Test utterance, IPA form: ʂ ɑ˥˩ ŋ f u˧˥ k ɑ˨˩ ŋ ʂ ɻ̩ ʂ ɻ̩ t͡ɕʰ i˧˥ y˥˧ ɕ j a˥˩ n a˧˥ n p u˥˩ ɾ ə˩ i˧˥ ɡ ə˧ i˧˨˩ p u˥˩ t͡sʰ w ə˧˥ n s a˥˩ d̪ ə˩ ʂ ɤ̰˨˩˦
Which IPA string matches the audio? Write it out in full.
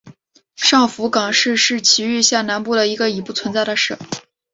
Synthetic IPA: ʂ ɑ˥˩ ŋ f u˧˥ k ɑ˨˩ ŋ ʂ ɻ̩ ʂ ɻ̩ t͡ɕʰ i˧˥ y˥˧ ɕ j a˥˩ n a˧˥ n p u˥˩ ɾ ə˩ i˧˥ ɡ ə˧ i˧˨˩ p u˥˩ t͡sʰ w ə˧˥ n t͡s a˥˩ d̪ ə˩ ʂ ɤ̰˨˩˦